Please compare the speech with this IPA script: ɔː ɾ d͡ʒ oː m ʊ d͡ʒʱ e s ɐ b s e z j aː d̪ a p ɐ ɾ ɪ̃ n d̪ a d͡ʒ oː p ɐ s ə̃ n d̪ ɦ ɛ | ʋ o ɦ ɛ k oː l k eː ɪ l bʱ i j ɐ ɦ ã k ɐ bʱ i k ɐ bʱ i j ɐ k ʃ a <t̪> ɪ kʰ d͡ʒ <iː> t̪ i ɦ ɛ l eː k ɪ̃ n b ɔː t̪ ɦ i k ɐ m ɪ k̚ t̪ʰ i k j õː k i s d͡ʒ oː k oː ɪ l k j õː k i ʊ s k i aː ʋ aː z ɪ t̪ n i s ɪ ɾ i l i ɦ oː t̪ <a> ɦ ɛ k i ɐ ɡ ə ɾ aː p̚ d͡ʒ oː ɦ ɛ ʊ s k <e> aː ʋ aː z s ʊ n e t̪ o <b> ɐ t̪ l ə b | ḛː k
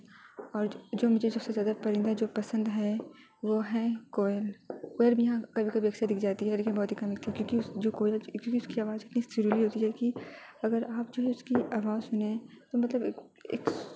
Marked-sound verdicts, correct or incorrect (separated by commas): incorrect, incorrect, incorrect, incorrect, incorrect